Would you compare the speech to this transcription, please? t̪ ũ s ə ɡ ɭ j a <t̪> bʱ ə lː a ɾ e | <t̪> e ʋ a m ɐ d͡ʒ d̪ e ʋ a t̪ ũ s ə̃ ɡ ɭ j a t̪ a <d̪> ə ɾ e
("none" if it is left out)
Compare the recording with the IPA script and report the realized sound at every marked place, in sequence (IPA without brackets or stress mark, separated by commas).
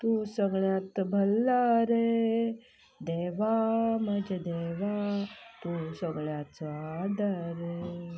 t̪, d̪, d̪